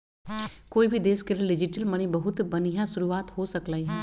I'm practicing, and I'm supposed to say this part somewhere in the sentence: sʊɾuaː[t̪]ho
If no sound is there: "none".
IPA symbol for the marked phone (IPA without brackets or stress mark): t̪